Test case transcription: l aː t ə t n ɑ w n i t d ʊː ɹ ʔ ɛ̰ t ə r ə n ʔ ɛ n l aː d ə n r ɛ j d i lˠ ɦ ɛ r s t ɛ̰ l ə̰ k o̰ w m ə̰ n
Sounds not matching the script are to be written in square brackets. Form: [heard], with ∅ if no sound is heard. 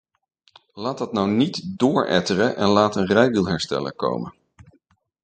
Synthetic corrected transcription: l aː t [ɑ] t n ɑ w n i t d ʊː ɹ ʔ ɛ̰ t ə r ə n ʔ ɛ n l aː [t] ə n r ɛ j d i lˠ ɦ ɛ [ɹ] s t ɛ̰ l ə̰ k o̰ w m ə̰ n